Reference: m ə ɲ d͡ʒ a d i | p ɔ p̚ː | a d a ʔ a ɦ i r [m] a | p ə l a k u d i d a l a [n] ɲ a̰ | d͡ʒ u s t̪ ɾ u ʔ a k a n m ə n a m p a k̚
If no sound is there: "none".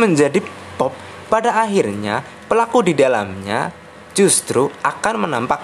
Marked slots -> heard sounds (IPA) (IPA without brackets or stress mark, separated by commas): ɲ, m